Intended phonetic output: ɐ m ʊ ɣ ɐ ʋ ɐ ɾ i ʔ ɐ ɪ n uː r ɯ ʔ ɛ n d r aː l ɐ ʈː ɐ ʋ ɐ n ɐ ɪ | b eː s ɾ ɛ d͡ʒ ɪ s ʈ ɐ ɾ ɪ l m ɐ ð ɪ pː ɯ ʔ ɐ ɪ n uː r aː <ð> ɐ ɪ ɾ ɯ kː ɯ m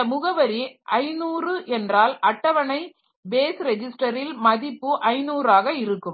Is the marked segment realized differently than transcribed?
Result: yes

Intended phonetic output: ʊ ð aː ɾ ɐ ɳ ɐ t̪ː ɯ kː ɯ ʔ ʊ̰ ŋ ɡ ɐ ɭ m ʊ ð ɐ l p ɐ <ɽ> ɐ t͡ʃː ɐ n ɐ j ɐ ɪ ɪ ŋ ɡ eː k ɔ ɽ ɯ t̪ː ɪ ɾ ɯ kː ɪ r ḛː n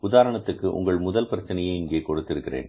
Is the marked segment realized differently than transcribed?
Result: yes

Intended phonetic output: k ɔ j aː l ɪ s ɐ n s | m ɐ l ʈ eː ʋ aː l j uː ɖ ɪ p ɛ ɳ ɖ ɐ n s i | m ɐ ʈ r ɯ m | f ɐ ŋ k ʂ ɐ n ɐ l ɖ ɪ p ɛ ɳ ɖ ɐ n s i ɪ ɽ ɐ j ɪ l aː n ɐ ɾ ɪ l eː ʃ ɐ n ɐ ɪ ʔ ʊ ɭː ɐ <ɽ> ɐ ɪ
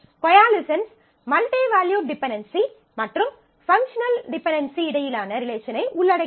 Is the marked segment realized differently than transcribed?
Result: no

